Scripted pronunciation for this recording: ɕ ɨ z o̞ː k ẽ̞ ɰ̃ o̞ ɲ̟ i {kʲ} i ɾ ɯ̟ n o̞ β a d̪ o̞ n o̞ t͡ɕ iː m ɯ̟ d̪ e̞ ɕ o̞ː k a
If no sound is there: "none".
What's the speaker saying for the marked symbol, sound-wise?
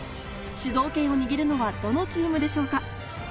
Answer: ɡʲ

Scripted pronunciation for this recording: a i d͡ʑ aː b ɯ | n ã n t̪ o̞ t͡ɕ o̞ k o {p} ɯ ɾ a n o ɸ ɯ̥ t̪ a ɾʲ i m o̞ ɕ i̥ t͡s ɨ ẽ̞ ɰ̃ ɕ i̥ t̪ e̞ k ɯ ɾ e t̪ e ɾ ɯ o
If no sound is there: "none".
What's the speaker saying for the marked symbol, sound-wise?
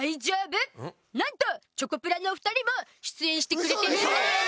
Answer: p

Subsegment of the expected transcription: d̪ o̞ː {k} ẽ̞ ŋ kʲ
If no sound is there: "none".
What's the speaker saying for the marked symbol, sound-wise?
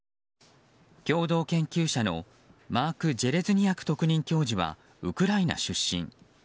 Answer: k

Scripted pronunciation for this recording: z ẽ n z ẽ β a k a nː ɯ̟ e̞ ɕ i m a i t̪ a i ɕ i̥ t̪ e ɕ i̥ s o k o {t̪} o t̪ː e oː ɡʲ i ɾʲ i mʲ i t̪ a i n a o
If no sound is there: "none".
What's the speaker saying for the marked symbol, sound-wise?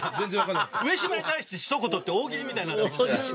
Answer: t̪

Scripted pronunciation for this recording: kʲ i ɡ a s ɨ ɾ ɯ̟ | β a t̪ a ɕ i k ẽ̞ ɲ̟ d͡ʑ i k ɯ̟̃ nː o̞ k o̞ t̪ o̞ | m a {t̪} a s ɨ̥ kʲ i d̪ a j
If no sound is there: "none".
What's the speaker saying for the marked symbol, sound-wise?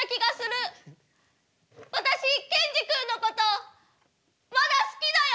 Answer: d̪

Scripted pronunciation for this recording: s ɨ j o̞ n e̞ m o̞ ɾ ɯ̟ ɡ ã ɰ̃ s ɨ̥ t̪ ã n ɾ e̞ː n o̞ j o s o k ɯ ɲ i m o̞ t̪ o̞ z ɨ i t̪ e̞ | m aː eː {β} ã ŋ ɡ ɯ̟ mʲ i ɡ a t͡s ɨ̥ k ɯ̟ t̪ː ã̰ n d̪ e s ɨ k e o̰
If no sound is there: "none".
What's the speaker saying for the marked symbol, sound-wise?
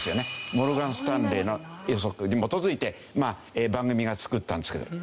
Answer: b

